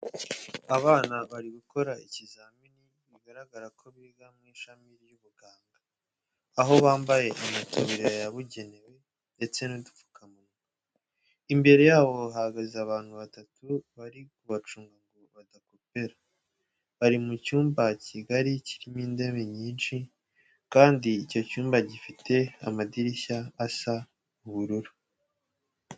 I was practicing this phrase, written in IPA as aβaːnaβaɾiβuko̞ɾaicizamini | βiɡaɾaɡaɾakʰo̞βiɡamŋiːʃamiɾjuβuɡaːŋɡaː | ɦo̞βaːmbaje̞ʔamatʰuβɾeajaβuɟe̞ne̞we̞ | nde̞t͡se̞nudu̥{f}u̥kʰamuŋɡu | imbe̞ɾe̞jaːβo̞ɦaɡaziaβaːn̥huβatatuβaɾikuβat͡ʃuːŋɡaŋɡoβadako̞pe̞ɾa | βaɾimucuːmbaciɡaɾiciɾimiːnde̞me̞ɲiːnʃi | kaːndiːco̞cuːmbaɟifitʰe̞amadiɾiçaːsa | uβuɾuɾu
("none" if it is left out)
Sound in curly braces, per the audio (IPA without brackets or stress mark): f